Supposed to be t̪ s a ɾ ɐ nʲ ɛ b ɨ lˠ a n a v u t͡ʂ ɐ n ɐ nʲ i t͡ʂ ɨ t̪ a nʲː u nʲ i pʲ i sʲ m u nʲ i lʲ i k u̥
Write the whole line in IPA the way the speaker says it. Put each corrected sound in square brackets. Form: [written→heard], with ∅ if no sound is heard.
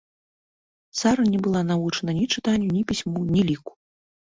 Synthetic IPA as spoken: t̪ s a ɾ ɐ nʲ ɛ b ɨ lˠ a n a v u t͡ʂ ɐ n ɐ nʲ i t͡ʂ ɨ t̪ a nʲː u nʲ i pʲ i sʲ m u nʲ i lʲ i k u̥